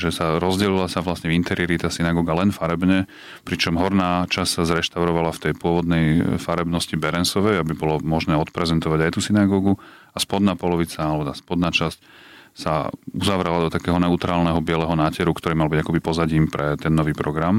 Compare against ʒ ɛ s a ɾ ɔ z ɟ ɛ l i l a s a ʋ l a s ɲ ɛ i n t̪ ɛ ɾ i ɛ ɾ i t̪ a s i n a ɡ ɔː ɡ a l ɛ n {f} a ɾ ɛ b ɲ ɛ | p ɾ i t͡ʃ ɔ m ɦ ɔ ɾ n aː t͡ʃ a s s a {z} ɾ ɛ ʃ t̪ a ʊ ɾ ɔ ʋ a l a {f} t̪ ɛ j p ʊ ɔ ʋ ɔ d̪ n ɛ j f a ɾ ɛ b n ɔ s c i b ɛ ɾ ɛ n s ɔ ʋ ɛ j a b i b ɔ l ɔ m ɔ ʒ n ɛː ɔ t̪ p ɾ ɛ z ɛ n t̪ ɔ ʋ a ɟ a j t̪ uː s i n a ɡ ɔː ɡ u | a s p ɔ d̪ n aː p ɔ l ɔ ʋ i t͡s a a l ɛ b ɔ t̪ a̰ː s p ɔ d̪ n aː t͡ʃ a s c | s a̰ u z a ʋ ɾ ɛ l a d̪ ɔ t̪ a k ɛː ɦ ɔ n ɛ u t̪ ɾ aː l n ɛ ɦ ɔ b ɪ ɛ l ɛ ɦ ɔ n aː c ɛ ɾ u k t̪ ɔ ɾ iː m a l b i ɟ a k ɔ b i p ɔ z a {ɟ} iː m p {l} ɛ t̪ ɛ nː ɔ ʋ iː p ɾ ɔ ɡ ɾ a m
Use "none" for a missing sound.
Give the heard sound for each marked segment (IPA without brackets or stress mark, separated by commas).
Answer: f, z, f, ɟ, ɾ